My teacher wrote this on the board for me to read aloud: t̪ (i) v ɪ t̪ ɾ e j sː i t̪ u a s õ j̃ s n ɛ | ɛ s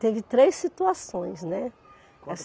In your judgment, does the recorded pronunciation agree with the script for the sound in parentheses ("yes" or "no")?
no